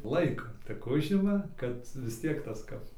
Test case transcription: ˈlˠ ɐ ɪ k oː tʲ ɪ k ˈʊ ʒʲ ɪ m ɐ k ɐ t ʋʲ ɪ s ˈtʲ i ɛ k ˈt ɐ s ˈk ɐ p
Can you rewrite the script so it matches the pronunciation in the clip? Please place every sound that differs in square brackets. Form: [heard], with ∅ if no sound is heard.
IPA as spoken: ˈlˠ ɐ ɪ k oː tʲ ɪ k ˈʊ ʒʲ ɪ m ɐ k ɐ t ʋʲ ɪ s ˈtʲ i ɛ k ˈt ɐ s ˈk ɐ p